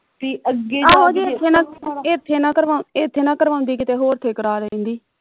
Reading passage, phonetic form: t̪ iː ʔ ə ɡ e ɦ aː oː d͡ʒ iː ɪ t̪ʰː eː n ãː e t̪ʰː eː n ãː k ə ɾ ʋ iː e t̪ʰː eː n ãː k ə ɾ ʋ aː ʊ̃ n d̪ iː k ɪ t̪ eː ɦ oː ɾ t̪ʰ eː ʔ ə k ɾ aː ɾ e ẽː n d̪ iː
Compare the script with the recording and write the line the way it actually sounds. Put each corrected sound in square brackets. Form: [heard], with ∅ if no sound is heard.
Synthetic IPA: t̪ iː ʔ ə ɡ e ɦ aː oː d͡ʒ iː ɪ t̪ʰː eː n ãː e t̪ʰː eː n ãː k ə ɾ ʋ [aː] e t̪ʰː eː n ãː k ə ɾ ʋ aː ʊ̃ n d̪ iː k ɪ t̪ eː ɦ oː ɾ t̪ʰ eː [k] ə [∅] ɾ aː ɾ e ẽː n d̪ iː